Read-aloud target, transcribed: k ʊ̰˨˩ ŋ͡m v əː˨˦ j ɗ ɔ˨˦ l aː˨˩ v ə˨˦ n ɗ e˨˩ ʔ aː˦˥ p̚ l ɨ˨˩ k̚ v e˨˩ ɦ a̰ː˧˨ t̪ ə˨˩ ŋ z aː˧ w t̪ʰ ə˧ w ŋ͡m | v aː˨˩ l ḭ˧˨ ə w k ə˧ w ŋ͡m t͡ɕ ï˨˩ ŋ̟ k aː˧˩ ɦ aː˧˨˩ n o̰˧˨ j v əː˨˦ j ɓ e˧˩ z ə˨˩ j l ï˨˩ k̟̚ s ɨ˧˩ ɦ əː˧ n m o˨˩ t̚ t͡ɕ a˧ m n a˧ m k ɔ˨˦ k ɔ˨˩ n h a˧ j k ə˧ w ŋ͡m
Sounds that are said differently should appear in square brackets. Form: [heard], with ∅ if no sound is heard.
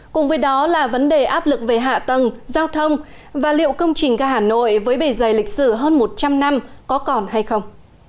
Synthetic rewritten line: k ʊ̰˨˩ ŋ͡m v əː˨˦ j ɗ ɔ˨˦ l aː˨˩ v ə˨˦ n ɗ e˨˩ ʔ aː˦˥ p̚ l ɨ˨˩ k̚ v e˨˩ ɦ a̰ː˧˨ t̪ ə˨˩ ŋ z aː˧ w t̪ʰ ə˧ w ŋ͡m | v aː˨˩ l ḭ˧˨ ə w k ə˧ w ŋ͡m t͡ɕ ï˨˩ ŋ̟ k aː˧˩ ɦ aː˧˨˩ n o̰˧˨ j v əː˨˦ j ɓ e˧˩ z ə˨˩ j l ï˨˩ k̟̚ s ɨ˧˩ ɦ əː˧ n m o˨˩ t̚ t͡ɕ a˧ m n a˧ m k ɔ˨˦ k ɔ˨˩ n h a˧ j [x] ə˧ w ŋ͡m